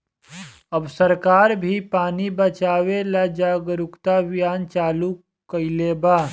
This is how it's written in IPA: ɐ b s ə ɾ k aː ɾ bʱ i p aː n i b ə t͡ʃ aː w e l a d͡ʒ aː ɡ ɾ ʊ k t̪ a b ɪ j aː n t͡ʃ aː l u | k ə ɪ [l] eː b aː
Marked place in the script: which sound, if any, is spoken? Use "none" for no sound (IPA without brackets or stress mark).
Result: l